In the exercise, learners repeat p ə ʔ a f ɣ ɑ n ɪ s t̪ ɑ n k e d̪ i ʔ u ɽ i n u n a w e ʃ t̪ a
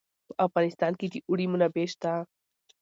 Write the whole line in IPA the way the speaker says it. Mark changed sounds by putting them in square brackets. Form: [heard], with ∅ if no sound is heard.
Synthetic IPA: p ə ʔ a f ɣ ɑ n ɪ s t̪ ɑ n k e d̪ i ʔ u ɽ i [m] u n a [b] e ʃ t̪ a

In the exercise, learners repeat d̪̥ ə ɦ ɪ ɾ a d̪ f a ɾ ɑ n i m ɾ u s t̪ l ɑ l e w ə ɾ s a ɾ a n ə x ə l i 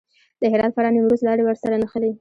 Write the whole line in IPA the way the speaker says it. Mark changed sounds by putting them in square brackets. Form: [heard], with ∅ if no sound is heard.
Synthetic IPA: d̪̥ ə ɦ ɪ ɾ [ɑ] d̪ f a ɾ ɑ n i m ɾ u s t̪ l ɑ [ɽ] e w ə ɾ s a ɾ a n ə x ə l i

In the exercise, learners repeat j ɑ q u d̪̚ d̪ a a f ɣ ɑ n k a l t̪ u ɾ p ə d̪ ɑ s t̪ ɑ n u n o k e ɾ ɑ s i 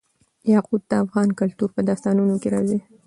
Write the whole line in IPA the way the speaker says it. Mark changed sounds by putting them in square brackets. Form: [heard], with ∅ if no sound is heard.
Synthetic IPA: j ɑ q u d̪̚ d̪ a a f ɣ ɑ n k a l t̪ u ɾ p ə d̪ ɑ s t̪ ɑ n u n o k e ɾ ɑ [z] i

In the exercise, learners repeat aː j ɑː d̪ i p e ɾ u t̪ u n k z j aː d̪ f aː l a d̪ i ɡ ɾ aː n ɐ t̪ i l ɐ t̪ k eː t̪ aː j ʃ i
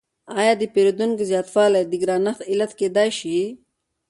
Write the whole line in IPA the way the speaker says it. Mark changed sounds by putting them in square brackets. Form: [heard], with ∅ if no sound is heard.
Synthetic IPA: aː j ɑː d̪ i p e ɾ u [d̪] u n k z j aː [t̪] f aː l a d̪ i ɡ ɾ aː n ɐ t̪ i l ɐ t̪ k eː [d̪] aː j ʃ i

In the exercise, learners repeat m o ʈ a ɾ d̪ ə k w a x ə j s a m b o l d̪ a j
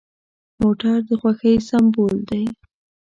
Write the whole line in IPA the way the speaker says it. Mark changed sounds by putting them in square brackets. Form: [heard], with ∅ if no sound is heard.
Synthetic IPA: m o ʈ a ɾ d̪ ə [x] w a x ə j s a m b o l d̪ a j

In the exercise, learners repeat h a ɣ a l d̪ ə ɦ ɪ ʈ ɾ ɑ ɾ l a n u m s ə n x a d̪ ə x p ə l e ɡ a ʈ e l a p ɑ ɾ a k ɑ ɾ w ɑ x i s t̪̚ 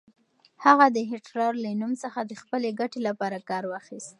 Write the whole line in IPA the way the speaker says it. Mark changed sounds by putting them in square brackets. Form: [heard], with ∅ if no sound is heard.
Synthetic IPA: h a ɣ a [∅] d̪ ə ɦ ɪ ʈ ɾ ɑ ɾ l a n u m s ə [∅] x a d̪ ə x p ə l e ɡ a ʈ e l a p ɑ ɾ a k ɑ ɾ w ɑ x i s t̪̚

